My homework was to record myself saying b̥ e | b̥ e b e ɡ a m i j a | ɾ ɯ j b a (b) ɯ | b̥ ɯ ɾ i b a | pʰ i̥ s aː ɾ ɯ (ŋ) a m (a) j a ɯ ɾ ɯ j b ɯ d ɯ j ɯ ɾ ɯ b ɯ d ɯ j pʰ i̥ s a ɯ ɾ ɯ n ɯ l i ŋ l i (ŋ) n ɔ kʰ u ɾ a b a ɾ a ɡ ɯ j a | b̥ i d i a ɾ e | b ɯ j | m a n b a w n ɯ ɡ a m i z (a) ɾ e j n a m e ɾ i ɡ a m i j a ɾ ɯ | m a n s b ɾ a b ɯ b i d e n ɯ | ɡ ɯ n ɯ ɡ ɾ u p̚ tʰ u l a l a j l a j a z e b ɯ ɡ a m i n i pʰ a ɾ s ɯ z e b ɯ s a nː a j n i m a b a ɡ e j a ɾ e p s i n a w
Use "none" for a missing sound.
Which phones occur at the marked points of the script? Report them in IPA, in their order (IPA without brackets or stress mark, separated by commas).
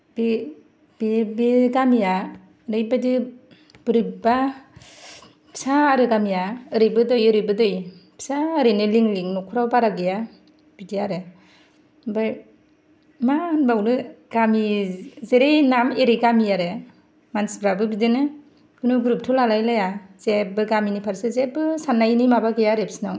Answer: d, ɡ, i, ŋ, e